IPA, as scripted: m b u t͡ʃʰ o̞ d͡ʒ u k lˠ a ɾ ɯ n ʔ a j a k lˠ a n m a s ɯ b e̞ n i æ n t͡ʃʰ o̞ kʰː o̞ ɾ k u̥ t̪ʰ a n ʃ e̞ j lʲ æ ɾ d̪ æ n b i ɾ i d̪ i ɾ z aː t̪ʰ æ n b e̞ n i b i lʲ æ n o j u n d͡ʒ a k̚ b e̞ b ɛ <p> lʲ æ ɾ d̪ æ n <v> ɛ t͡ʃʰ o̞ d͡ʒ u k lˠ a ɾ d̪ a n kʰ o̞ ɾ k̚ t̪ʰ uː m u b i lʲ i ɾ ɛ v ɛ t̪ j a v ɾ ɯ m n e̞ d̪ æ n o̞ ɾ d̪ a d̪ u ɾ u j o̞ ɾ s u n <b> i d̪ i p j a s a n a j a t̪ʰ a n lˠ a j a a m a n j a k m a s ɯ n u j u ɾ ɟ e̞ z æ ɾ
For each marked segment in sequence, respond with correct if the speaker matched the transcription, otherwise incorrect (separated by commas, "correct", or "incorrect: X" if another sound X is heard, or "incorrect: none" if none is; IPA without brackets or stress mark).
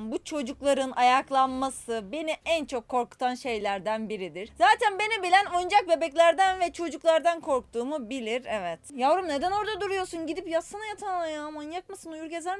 incorrect: c, correct, incorrect: ɟ